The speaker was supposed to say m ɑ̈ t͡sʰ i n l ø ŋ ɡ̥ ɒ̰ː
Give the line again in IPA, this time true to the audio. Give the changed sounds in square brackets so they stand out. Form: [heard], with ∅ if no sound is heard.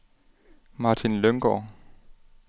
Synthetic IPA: m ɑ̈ t͡sʰ i n l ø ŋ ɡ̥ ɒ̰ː